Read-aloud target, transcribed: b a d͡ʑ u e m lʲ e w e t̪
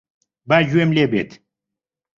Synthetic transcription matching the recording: b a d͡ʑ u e m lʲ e b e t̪

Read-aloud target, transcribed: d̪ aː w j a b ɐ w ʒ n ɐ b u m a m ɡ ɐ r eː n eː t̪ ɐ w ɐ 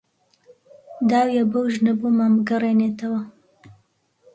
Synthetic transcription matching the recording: d̪ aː w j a b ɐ w ʒ n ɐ b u m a m ɡ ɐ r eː n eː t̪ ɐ w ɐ

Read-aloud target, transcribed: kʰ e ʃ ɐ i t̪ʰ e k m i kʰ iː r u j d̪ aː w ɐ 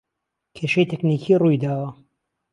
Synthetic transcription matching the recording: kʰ e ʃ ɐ j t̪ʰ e k n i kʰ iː r u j d̪ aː w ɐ

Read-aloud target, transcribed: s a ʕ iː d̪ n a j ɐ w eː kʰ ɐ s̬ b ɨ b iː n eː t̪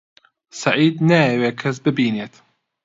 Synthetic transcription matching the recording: s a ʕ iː d̪ n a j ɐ w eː kʰ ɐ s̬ b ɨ b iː n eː t̪

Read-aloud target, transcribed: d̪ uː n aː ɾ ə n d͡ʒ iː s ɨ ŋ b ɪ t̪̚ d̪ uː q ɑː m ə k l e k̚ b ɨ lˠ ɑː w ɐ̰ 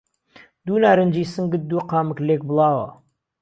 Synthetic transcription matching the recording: d̪ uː n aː ɾ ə n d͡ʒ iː s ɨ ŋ ɡ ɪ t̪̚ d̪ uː q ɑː m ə k l e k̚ b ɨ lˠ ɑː w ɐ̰

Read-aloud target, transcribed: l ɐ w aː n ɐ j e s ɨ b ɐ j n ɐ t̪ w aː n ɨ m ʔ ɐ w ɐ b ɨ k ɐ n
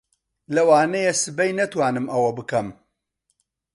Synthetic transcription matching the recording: l ɐ w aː n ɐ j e s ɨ b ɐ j n ɐ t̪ w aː n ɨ m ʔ ɐ w ɐ b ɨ k ɐ m

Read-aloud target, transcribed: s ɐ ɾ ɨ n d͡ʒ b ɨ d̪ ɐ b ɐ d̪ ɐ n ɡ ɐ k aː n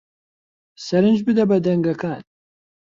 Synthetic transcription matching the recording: s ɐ ɾ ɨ n d͡ʒ b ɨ d̪ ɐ b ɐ d̪ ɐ ŋ ɡ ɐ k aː n

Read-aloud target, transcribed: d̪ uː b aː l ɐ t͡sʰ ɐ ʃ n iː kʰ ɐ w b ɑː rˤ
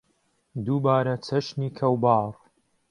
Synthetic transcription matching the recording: d̪ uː b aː ɾ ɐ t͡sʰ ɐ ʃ n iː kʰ ɐ w b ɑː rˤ

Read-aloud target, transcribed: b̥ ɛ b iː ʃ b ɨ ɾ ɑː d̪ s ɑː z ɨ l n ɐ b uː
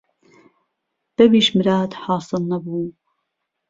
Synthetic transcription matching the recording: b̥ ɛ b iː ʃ m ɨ ɾ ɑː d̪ ħ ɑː s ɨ l n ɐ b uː

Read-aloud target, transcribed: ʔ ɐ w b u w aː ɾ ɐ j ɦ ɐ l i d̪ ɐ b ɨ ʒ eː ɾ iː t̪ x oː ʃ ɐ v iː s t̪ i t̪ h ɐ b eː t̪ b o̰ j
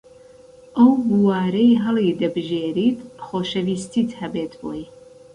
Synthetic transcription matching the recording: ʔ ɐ w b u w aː ɾ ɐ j ɦ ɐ l i d̪ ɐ b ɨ ʒ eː ɾ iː t̪ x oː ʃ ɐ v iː s t̪ i t̪ h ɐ b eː t̪ b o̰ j

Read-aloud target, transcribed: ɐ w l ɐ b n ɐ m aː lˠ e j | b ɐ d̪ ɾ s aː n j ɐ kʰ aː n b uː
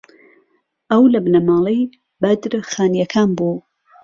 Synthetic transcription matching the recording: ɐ w l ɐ b n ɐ m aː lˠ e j | b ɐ d̪ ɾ x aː n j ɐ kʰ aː n b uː

